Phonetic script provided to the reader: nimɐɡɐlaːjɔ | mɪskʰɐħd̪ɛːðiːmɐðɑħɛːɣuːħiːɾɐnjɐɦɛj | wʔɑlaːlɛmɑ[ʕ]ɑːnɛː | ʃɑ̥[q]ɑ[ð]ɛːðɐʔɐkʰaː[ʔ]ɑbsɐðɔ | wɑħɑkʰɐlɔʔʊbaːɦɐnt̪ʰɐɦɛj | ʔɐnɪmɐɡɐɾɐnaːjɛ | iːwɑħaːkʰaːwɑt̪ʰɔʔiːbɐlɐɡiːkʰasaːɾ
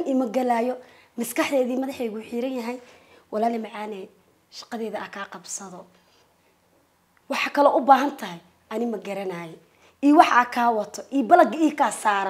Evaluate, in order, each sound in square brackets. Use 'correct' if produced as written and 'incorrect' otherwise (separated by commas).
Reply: correct, correct, correct, incorrect